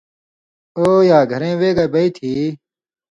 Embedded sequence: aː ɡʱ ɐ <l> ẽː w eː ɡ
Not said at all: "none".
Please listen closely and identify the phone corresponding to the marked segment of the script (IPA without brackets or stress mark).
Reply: ɾ